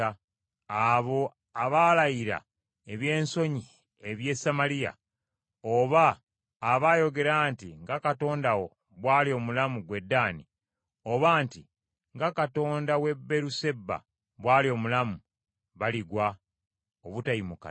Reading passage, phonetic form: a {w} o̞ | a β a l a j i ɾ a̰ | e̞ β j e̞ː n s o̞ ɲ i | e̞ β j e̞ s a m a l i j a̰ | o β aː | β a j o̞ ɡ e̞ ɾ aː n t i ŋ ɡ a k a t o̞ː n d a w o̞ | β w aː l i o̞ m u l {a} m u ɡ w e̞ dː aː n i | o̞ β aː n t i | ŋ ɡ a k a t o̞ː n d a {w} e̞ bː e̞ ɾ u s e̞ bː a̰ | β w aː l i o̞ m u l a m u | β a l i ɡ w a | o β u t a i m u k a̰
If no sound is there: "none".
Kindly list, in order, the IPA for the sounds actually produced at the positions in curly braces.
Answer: β, a, w

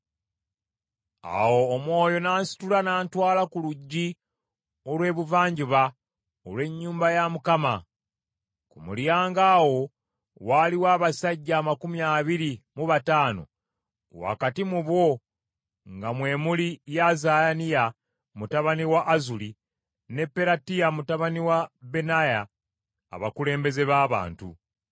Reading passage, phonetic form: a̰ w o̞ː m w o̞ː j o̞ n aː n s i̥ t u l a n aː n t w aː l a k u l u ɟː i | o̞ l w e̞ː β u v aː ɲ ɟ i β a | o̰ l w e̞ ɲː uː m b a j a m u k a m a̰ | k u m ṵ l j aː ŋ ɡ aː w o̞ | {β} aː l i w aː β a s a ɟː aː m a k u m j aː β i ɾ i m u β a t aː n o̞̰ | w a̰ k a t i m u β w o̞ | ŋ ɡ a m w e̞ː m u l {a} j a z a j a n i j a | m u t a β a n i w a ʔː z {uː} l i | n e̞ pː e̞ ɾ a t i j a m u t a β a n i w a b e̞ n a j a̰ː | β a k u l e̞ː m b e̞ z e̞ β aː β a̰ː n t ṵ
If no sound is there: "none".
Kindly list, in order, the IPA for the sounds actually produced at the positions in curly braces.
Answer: w, i, u

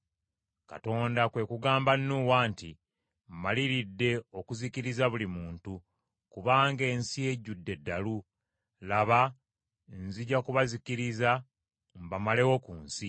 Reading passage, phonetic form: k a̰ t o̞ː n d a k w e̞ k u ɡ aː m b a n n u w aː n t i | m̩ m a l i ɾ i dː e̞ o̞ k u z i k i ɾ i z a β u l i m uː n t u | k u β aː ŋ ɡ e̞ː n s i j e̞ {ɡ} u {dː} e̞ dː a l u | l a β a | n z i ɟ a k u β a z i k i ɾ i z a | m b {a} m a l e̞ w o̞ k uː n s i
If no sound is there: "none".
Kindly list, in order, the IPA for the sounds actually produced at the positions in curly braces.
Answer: ɟ, dː, a

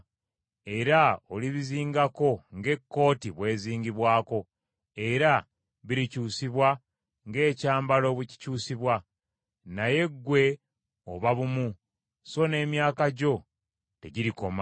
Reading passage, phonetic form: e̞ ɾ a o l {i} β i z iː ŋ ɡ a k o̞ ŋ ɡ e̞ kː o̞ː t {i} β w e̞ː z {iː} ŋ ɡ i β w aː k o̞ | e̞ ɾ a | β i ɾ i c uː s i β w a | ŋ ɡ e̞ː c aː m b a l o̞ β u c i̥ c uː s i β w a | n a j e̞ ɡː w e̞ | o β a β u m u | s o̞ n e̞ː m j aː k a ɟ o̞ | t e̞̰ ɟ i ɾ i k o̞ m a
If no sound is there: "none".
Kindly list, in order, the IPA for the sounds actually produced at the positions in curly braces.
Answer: i, i, iː

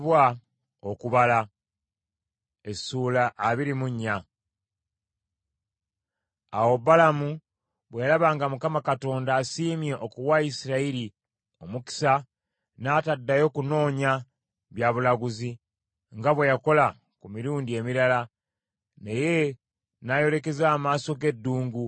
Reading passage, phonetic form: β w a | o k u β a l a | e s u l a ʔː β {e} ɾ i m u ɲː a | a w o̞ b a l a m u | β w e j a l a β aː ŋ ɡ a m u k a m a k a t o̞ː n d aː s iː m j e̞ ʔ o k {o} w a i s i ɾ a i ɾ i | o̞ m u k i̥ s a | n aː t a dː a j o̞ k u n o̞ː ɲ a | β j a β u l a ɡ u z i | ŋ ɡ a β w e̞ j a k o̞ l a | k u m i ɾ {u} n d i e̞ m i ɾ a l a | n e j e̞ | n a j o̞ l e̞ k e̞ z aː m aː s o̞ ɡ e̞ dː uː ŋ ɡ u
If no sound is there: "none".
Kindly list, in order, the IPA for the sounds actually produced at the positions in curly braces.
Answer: i, u, uː

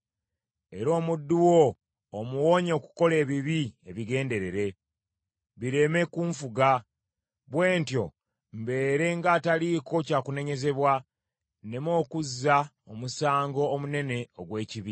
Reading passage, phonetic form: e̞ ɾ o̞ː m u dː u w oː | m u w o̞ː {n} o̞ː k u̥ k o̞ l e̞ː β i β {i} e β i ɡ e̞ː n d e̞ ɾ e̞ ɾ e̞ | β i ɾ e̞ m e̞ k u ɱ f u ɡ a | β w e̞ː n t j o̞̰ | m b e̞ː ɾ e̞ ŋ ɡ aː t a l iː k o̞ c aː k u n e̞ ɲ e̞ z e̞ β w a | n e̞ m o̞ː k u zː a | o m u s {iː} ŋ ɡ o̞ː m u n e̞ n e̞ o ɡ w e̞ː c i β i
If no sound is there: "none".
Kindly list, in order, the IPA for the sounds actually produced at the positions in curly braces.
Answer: ɲ, i, aː

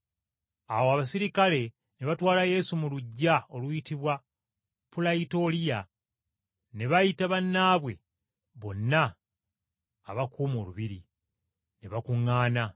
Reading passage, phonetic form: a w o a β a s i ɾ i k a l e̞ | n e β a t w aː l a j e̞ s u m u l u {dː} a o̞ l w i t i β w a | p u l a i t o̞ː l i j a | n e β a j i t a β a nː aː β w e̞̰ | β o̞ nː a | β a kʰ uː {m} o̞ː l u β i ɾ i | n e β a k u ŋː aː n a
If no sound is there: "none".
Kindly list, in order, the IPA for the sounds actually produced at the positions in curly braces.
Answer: ɟː, m

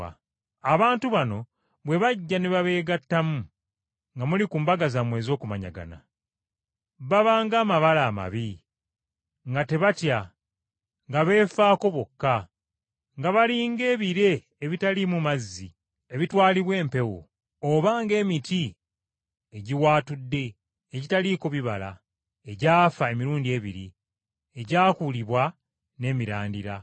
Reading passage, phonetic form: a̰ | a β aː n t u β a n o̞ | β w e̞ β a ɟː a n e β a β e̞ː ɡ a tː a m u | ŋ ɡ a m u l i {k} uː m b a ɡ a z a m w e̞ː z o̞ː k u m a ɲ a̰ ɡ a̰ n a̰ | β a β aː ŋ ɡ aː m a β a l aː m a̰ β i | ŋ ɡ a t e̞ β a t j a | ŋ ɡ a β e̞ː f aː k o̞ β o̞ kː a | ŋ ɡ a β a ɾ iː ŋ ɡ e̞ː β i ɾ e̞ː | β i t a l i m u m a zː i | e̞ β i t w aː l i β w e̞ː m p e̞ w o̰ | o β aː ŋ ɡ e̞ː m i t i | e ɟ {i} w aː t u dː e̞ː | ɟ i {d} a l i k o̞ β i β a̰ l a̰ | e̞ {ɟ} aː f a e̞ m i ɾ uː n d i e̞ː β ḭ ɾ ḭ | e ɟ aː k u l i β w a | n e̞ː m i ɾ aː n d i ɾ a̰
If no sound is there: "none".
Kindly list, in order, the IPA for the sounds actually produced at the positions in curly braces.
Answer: k, i, t, ɟ

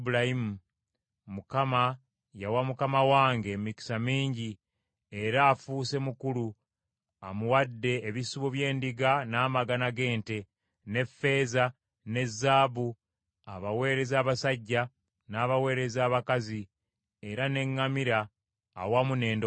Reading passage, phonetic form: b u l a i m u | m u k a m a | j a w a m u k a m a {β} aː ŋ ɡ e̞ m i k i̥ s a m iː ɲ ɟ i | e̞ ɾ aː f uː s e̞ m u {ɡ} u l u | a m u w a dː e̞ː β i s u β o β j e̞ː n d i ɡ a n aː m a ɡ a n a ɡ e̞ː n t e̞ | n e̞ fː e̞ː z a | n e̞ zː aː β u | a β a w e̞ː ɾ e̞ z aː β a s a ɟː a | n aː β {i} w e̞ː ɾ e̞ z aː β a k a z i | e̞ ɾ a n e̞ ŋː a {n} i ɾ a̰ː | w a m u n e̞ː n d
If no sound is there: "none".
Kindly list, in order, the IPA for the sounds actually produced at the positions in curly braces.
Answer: w, k, a, m

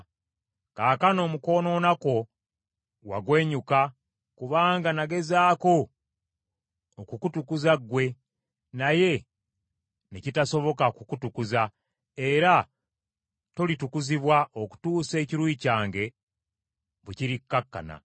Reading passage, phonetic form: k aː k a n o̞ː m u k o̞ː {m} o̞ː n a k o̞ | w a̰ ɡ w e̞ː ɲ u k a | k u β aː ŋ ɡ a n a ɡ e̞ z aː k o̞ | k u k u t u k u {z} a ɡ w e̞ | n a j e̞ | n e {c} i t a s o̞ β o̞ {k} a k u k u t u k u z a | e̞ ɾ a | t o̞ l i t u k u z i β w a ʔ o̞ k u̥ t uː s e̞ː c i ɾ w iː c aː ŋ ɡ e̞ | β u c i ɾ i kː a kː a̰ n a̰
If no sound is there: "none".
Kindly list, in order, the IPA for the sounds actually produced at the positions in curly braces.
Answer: n, z, c, k

